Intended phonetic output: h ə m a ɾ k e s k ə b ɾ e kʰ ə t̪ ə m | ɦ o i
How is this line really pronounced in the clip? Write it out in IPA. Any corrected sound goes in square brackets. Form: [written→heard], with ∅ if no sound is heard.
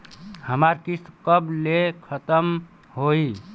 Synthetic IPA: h ə m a ɾ k [e→i] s k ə b [ɾ→l] e kʰ ə t̪ ə m | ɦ o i